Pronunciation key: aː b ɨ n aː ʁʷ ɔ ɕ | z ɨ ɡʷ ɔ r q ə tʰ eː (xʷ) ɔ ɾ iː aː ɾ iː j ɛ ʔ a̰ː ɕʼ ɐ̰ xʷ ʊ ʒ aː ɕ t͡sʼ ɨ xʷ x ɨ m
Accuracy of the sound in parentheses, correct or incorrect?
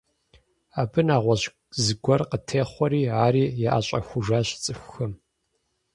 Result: incorrect